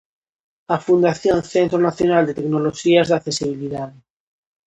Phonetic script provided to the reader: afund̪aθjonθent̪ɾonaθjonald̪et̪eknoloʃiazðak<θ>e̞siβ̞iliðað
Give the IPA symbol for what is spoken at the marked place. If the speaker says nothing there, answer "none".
θ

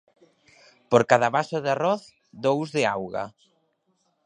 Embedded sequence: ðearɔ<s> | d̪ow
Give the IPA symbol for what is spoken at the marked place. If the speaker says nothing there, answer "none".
θ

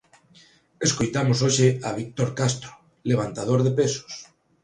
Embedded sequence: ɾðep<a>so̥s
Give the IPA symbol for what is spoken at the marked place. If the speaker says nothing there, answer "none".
e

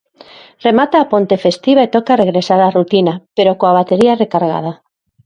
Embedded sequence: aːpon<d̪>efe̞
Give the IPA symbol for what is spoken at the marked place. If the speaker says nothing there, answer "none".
t̪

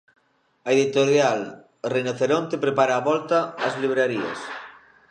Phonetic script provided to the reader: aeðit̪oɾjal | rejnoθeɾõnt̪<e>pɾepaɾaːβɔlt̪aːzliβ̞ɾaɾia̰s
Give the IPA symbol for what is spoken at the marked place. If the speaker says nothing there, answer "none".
e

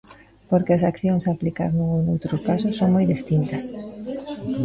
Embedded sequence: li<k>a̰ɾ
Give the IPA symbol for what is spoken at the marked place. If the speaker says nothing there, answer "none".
k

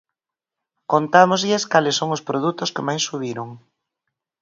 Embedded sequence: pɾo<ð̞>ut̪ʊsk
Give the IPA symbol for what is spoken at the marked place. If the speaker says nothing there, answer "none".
ð̞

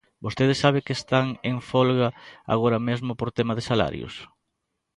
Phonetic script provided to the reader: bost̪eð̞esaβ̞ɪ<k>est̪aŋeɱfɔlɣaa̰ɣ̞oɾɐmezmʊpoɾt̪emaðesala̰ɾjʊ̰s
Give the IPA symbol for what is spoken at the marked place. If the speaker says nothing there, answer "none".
k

